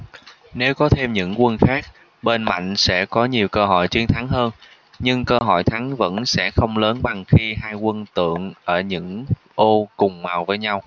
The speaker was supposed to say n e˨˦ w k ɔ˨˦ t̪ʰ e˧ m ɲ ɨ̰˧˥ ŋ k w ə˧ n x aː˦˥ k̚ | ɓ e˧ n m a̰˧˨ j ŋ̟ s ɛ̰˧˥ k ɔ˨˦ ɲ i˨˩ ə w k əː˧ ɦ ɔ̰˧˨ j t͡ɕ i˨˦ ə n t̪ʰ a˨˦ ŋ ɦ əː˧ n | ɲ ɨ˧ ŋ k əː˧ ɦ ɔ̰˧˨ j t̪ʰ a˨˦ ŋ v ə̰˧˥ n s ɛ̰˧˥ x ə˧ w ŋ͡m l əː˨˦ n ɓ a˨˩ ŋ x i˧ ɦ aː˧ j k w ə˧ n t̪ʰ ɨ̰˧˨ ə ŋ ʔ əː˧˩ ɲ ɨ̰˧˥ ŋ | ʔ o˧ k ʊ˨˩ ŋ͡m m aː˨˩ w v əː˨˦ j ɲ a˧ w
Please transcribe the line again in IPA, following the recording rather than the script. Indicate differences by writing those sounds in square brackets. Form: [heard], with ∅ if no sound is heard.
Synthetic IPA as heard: n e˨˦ w k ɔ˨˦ t̪ʰ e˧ m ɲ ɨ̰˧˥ ŋ k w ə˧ n x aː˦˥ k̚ | ɓ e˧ n m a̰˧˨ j ŋ̟ s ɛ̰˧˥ k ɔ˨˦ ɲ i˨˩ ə w k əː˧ ɦ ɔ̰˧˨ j t͡ɕ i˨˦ ə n t̪ʰ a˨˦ ŋ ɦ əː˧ n | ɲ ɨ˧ ŋ k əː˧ ɦ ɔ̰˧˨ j t̪ʰ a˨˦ ŋ v ə̰˧˥ n s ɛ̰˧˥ x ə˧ w ŋ͡m l əː˨˦ n ɓ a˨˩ ŋ x i˧ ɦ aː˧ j k w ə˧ n [t̪] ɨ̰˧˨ ə ŋ ʔ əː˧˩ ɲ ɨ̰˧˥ ŋ | ʔ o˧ k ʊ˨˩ ŋ͡m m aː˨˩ w v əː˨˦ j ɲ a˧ w

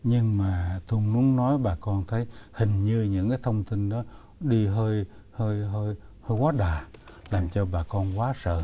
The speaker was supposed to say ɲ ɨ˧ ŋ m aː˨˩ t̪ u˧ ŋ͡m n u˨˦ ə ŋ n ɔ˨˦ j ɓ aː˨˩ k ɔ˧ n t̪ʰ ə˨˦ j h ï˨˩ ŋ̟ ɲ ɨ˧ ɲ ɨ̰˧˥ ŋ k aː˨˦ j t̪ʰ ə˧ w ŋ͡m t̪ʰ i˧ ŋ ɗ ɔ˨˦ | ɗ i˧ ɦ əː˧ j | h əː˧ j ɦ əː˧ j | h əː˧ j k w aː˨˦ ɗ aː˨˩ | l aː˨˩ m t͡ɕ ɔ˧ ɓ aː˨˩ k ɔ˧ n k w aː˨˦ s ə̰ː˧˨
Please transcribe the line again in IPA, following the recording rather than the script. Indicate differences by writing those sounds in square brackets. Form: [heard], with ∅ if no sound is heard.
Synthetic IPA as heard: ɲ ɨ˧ ŋ m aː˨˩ t̪ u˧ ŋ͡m n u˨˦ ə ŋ n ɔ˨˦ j ɓ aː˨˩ k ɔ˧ n t̪ʰ ə˨˦ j h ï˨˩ ŋ̟ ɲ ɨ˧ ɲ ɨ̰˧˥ ŋ k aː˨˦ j t̪ʰ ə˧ w ŋ͡m [t̪] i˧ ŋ ɗ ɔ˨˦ | ɗ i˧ ɦ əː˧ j | h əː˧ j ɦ əː˧ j | h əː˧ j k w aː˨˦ ɗ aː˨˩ | l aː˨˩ m t͡ɕ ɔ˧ ɓ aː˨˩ k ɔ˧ n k w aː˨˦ s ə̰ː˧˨

